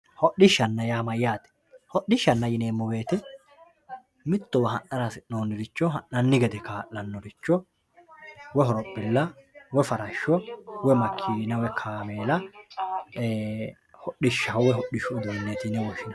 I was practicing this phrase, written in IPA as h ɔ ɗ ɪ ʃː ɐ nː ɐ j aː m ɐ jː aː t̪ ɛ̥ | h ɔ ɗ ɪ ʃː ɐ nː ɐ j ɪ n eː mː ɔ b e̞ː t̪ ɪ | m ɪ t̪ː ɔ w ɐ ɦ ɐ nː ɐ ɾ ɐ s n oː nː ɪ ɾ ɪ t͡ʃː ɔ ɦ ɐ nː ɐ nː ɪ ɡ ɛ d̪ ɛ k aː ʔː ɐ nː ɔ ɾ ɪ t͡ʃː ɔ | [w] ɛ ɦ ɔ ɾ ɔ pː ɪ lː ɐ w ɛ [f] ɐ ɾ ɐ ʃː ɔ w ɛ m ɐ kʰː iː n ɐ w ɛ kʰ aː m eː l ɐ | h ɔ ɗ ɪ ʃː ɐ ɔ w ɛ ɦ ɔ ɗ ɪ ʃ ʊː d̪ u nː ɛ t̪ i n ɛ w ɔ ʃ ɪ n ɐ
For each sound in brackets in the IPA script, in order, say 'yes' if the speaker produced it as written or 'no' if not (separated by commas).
yes, yes